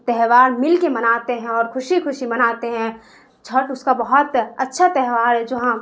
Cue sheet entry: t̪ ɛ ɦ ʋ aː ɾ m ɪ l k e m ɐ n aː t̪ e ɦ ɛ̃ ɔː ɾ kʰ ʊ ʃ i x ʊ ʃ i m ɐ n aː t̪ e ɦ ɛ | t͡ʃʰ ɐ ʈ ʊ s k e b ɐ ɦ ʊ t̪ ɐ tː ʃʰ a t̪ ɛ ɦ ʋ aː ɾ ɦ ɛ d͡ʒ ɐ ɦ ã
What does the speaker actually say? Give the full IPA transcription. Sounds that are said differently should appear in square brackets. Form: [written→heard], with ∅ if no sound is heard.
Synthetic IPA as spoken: t̪ ɛ ɦ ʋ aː ɾ m ɪ l k e m ɐ n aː t̪ e ɦ ɛ̃ ɔː ɾ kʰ ʊ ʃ i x ʊ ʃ i m ɐ n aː t̪ e ɦ [ɛ→ɛ̃] | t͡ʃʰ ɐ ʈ ʊ s k [e→a] b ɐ ɦ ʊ t̪ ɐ tː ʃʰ a t̪ ɛ ɦ ʋ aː ɾ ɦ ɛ d͡ʒ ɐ ɦ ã